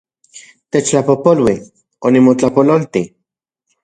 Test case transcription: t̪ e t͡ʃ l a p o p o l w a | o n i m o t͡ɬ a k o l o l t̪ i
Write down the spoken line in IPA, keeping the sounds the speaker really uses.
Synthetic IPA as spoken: t̪ e t͡ʃ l a p o p o l w i | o n i m o t͡ɬ a p o l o l t̪ i